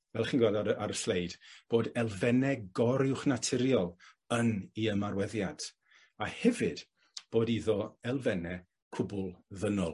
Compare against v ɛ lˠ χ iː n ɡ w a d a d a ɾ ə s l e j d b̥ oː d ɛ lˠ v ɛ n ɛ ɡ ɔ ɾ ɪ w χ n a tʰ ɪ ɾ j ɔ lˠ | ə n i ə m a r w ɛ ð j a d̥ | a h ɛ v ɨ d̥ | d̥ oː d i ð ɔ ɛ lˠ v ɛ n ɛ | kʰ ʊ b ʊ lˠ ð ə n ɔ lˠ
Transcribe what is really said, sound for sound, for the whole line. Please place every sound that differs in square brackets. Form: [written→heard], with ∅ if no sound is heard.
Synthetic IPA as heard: v ɛ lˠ χ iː n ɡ w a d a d a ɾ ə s l e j d b̥ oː d ɛ lˠ v ɛ n ɛ ɡ ɔ ɾ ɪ w χ n a tʰ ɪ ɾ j ɔ lˠ | ə n i ə m a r w ɛ ð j a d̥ | a h ɛ v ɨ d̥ | [d̥→b̥] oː d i ð ɔ ɛ lˠ v ɛ n ɛ | kʰ ʊ b ʊ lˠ ð ə n ɔ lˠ